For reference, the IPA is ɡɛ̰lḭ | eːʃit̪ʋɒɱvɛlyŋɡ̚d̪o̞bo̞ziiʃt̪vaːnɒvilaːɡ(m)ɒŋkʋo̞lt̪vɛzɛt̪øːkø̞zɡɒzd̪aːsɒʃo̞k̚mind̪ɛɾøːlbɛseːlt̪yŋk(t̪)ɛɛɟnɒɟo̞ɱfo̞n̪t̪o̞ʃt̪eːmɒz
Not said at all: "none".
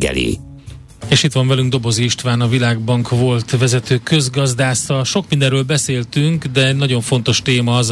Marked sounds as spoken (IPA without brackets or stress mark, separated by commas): b, d̪